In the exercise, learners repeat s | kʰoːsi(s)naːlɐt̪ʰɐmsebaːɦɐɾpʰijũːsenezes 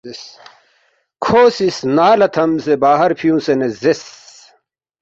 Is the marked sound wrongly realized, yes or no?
no